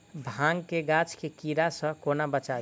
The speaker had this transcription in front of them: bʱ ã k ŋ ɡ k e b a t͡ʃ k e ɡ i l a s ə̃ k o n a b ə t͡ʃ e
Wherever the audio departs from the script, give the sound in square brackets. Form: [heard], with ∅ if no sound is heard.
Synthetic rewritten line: bʱ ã [∅] ŋ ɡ k e [ɡ] a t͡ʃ k e [k] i [ɾ] a s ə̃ k o n a b ə t͡ʃ [a]